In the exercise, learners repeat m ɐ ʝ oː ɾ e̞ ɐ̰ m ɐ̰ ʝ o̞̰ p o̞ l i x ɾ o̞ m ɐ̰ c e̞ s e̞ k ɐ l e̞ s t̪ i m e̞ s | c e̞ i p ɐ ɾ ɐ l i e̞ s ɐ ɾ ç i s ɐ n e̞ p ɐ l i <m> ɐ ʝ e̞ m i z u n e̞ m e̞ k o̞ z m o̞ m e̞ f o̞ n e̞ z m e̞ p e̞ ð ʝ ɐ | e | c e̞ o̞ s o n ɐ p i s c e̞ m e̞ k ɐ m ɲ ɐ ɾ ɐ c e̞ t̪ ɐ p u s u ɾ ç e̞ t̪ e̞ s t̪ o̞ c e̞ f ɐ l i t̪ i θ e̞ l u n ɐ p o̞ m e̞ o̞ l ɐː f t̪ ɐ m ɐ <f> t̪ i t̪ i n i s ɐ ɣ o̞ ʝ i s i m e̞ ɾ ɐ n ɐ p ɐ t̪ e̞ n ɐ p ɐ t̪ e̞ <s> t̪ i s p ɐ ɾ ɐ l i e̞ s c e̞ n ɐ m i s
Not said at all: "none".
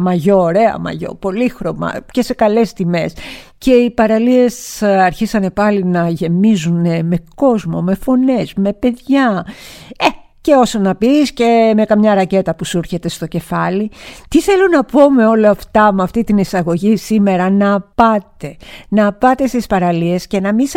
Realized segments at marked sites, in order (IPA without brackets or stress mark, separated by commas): n, f, s